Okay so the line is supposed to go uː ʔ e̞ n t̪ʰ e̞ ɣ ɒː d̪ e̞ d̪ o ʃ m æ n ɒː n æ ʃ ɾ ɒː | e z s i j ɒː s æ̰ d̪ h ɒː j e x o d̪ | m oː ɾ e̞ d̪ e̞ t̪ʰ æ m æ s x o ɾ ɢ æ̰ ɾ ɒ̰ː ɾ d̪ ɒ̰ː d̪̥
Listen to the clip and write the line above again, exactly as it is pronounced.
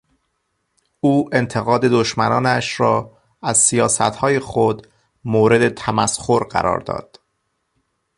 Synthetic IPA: uː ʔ e̞ n t̪ʰ e̞ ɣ ɒː d̪ e̞ d̪ o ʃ m æ n ɒː n æ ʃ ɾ ɒː | æ z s i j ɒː s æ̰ t̪ h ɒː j e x o d̪ | m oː ɾ e̞ d̪ e̞ t̪ʰ æ m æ s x o ɾ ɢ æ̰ ɾ ɒ̰ː ɾ d̪ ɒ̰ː d̪̥